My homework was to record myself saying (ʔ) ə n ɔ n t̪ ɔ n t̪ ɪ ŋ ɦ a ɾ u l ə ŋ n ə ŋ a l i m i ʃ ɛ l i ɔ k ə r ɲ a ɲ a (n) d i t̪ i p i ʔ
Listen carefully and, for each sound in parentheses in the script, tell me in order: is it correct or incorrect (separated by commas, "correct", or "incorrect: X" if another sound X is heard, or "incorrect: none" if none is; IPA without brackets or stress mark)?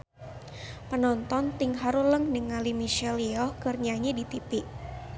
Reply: incorrect: p, incorrect: none